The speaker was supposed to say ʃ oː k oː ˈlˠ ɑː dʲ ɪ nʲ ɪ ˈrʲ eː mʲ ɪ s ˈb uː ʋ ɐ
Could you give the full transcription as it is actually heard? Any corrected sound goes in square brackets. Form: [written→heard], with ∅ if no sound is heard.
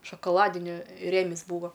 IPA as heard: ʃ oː k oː ˈlˠ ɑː dʲ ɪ nʲ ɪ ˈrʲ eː mʲ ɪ s ˈb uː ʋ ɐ